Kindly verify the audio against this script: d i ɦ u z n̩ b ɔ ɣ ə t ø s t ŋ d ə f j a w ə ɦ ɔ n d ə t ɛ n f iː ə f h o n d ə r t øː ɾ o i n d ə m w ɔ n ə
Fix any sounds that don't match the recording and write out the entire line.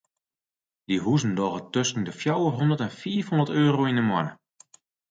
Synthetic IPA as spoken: d i ɦ u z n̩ d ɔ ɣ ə t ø s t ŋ d ə f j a w ə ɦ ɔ n d ə t ɛ n f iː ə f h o n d ə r t øː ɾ o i n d ə m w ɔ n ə